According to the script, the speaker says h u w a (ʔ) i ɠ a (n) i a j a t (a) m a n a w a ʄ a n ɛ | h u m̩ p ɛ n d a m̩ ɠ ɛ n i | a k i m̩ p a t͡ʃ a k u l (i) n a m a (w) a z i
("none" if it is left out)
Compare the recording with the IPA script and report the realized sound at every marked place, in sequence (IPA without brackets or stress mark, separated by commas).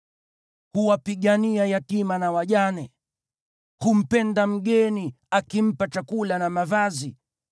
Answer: p, n, i, a, v